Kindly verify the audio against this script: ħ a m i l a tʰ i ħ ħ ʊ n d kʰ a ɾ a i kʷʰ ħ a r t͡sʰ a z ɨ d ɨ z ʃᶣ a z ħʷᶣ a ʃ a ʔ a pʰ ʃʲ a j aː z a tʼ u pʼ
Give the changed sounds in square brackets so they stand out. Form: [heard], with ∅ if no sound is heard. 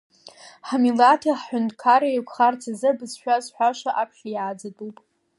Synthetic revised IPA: ħ a m i l a tʰ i ħ ħ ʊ n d kʰ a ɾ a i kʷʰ [χ] a r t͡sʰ a z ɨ [b] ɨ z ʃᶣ a z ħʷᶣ a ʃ a ʔ a pʰ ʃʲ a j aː [d͡z] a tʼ u pʼ